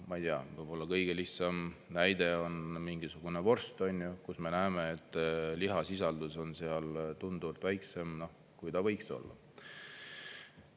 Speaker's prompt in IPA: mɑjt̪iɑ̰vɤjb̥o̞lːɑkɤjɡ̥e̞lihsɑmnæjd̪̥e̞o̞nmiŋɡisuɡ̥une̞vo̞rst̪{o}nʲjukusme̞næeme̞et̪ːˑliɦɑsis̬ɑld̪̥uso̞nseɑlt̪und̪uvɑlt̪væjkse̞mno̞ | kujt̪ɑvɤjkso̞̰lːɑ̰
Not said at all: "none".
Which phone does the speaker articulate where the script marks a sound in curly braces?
o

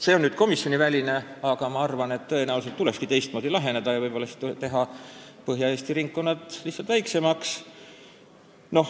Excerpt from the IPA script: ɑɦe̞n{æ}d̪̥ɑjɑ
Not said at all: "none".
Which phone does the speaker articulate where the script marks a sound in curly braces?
e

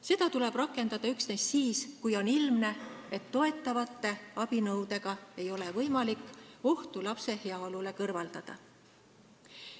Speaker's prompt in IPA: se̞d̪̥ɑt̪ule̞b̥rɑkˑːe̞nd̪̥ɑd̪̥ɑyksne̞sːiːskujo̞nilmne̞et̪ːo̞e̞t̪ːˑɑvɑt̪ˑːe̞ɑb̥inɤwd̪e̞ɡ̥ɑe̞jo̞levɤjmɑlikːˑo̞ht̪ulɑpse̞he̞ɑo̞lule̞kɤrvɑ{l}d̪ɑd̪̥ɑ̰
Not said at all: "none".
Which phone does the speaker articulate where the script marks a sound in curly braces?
l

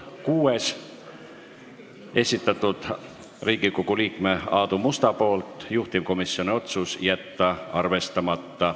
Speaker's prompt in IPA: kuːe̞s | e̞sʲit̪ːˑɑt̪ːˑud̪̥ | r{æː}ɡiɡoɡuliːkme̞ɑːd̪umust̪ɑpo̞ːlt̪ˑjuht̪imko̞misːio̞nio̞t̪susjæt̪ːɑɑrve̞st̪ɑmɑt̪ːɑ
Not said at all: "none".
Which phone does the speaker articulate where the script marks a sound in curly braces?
iː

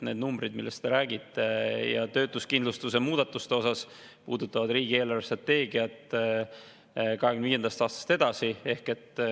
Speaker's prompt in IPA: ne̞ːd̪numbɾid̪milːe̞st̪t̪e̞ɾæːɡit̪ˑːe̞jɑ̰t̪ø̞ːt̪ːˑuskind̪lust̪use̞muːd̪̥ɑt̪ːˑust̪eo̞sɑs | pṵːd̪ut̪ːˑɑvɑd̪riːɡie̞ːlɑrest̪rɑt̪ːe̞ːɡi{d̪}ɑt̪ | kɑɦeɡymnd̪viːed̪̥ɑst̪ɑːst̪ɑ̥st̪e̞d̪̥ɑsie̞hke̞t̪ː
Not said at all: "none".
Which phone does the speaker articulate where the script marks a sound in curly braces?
none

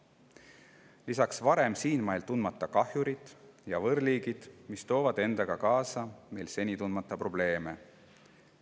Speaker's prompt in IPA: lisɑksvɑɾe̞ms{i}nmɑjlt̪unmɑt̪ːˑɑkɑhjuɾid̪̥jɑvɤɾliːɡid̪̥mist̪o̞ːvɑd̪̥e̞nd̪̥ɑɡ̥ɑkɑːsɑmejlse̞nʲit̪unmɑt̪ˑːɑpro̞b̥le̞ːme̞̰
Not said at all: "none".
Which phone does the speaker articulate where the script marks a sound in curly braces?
iː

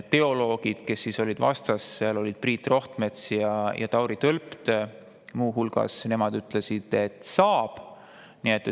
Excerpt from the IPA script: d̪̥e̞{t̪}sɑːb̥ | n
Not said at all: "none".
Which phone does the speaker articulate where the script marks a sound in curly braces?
t̪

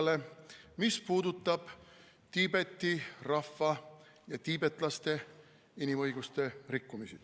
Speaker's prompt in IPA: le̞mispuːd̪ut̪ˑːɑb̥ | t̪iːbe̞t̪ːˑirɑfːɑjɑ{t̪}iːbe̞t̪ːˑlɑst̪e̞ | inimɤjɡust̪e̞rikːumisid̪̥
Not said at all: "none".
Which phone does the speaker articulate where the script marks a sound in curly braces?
t̪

